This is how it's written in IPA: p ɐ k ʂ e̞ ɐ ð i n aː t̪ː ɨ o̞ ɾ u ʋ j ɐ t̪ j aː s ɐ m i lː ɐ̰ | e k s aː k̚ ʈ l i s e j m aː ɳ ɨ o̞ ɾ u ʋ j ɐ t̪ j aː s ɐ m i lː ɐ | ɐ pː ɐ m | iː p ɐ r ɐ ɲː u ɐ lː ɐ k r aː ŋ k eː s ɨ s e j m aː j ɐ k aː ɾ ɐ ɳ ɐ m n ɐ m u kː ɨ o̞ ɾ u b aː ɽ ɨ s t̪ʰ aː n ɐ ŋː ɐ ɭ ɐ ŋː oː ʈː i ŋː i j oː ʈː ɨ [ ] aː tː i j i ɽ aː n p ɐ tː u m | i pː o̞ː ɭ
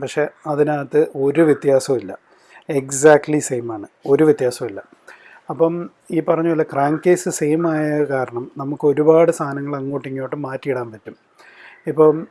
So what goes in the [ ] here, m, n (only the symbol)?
m